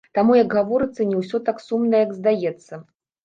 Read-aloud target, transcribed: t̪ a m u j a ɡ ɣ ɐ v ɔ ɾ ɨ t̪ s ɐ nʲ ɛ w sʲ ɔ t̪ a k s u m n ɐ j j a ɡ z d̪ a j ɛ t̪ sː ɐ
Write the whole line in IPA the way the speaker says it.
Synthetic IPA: t̪ a m u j ɐ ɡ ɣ a v ɔ ɾ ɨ t̪ sː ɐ nʲ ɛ w sʲ ɔ t̪ a k s u m n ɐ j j ɐ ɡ z d̪ a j ɛ t̪ sː ɐ